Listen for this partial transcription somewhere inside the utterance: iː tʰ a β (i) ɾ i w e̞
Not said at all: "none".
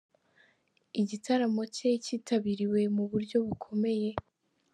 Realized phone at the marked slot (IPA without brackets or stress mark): i